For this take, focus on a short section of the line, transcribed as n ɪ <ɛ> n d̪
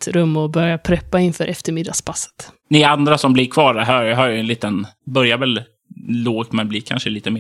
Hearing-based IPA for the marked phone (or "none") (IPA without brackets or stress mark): a